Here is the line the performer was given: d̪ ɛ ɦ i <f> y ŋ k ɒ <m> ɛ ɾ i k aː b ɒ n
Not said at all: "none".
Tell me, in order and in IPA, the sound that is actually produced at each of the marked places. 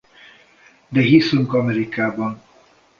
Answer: s, m

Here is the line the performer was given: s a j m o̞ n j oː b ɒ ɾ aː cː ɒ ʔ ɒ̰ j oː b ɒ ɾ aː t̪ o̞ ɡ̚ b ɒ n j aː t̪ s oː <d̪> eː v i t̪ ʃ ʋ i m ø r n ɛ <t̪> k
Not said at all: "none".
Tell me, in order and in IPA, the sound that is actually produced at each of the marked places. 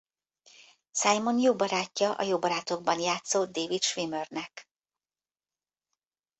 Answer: d̪, none

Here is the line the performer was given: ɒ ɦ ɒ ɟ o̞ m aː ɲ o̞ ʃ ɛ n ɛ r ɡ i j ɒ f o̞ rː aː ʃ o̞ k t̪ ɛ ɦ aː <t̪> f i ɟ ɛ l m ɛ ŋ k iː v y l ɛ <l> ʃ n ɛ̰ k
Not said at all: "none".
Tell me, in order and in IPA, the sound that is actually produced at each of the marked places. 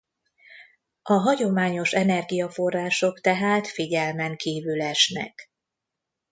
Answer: t̪, none

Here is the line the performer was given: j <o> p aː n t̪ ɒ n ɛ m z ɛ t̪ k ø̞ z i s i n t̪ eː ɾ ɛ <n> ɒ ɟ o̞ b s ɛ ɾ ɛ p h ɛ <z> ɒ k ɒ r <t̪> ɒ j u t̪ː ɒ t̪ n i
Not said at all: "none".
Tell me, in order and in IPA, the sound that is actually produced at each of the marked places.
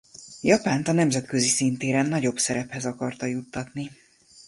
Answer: ɒ, nː, z, t̪

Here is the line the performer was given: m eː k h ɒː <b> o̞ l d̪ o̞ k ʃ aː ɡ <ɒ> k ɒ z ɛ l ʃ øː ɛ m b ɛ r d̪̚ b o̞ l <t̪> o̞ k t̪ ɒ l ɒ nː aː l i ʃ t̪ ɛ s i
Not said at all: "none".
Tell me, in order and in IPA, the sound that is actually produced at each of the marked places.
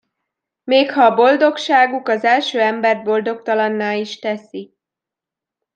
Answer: b, u, d̪

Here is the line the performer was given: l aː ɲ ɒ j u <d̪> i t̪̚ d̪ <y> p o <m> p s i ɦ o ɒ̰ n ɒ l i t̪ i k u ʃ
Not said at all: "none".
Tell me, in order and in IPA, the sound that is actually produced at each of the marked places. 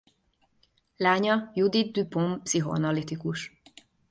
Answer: d̪, y, m

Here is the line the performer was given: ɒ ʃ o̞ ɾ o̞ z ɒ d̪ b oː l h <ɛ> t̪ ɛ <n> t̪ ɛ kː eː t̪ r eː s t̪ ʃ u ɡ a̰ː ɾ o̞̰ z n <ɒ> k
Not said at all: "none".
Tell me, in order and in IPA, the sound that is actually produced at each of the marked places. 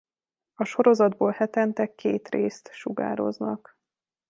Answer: ɛ, n, ɒ

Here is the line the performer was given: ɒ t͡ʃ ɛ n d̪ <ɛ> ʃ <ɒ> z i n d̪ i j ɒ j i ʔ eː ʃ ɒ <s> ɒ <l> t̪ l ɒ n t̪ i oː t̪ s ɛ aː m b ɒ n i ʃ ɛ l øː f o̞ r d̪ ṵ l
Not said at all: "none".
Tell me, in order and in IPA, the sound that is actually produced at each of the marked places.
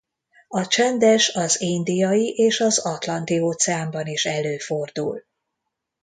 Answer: ɛ, ɒ, z, none

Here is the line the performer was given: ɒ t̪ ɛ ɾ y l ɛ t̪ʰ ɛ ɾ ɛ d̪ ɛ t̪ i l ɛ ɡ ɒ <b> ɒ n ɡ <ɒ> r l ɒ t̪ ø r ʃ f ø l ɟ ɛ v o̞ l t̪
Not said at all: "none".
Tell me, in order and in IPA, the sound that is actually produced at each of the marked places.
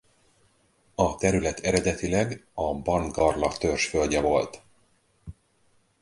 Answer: b, ɒ

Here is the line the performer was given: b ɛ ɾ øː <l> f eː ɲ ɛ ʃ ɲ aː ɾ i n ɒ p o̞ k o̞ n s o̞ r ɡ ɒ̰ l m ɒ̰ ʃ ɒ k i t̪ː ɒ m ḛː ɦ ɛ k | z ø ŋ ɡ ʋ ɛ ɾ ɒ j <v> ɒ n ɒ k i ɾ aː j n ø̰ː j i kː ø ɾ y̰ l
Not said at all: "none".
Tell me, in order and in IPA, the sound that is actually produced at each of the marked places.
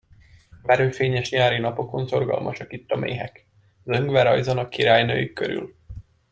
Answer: none, z

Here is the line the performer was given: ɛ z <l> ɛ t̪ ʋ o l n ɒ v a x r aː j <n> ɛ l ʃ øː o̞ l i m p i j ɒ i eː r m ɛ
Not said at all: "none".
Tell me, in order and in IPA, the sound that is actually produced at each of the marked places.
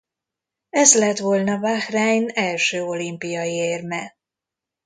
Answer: l, n

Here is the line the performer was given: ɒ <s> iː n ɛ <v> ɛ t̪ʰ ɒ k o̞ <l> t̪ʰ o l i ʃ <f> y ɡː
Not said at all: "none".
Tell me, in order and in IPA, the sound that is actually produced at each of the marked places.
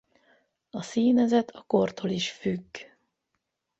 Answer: s, z, r, f

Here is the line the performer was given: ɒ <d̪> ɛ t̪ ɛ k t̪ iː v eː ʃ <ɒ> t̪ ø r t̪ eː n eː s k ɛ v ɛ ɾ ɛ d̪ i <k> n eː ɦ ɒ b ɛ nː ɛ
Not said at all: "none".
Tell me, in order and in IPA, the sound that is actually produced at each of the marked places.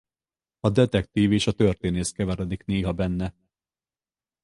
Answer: d̪, ɒ, k

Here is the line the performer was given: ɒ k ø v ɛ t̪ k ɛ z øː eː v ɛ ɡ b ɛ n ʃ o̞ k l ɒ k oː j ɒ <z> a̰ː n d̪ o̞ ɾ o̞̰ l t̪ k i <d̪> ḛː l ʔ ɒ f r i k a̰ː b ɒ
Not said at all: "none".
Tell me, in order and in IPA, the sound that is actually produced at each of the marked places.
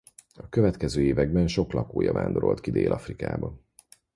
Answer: v, d̪

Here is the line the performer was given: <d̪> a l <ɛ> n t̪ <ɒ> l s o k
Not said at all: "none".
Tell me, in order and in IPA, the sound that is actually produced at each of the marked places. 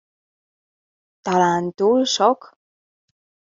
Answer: t̪, a, u

